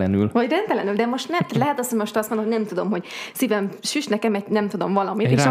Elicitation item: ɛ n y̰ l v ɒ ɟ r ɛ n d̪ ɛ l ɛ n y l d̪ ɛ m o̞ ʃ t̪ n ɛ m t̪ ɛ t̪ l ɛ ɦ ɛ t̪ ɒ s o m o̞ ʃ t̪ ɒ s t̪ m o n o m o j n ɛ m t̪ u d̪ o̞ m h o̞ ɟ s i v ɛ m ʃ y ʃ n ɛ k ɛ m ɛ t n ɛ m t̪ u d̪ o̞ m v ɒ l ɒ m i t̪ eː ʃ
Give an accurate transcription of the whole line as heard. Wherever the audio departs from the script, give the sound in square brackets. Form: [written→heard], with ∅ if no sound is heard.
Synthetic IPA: ɛ n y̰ l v ɒ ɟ r ɛ n [d̪→t̪] ɛ l ɛ n y l d̪ ɛ m o̞ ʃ t̪ n ɛ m t̪ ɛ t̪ l ɛ ɦ ɛ t̪ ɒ s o m o̞ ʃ t̪ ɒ s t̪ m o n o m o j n ɛ m t̪ u d̪ o̞ m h o̞ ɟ s i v ɛ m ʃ y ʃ n ɛ k ɛ m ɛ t n ɛ m t̪ u d̪ o̞ m v ɒ l ɒ m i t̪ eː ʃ